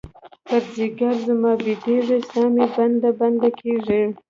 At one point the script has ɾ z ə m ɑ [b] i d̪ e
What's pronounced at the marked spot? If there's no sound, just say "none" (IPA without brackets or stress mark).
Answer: b